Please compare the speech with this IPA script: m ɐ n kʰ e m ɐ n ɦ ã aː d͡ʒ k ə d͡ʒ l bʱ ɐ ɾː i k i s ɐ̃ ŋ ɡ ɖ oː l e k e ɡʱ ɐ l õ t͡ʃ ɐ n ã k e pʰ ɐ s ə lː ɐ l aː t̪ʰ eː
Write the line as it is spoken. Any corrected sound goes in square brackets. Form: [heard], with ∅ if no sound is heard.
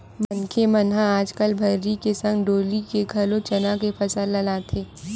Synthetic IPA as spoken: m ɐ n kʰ e m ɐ n ɦ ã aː d͡ʒ k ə [∅] l bʱ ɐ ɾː i k [e] s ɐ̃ ŋ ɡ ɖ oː l [i] k e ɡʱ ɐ l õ t͡ʃ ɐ n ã k e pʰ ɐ s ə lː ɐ l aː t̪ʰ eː